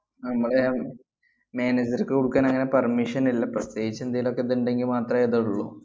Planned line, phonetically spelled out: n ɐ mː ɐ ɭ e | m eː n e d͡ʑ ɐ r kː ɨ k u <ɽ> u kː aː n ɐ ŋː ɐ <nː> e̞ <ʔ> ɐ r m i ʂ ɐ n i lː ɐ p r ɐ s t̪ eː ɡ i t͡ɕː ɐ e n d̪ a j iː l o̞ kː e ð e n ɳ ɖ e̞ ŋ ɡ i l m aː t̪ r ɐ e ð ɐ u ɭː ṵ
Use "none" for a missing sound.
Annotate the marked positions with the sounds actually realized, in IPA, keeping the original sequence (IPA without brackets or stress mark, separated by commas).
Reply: ɽ, n, p